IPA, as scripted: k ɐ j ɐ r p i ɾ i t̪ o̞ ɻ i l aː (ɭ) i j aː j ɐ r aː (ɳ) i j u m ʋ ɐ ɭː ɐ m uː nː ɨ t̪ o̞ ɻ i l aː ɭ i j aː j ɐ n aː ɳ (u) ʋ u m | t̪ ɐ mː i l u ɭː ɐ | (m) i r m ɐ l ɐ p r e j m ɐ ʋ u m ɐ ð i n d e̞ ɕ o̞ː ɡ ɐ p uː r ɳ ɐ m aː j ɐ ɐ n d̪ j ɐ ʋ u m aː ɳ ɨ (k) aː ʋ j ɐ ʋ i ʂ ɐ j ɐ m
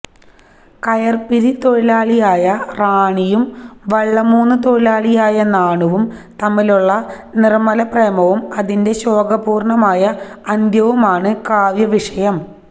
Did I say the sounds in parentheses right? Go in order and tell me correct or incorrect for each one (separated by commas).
correct, correct, correct, incorrect, correct